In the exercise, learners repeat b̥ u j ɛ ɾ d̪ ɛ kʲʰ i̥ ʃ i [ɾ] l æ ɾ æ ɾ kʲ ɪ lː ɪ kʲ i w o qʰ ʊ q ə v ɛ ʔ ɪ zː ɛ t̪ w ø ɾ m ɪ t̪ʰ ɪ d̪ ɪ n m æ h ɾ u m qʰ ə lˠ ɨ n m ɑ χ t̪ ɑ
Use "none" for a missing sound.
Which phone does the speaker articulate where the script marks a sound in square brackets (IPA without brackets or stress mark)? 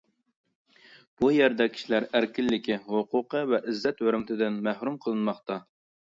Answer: none